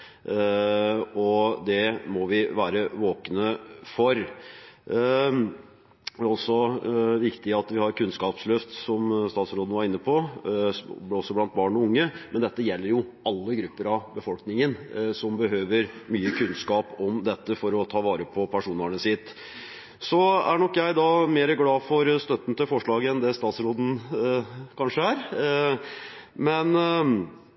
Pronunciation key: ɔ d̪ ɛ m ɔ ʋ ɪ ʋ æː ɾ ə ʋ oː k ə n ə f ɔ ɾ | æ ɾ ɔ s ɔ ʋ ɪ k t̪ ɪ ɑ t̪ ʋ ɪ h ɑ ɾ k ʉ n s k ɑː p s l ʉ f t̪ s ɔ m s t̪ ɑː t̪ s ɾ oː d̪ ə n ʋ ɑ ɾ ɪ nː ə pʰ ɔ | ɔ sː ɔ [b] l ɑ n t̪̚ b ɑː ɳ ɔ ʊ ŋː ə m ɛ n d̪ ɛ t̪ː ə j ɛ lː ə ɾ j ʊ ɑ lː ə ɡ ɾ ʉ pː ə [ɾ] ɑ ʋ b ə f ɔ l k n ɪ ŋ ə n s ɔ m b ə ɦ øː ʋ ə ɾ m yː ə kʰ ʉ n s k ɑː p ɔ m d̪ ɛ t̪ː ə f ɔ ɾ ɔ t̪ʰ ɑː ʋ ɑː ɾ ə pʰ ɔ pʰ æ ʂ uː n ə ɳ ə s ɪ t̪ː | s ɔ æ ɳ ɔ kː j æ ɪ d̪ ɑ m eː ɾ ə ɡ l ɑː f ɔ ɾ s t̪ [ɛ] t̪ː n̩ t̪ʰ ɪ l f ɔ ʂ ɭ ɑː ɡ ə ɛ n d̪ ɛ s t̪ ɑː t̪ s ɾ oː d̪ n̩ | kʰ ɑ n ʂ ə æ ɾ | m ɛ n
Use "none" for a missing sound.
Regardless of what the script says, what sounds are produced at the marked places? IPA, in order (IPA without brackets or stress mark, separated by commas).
b, ɾ, œ